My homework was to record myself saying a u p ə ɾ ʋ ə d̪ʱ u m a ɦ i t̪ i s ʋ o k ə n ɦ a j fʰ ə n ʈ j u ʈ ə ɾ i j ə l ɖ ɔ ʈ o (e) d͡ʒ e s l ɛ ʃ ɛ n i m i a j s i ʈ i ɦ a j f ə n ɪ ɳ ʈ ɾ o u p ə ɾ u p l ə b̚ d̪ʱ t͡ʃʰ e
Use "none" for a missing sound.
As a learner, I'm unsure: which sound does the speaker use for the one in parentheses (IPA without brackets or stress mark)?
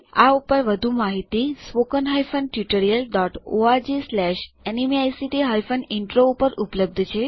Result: a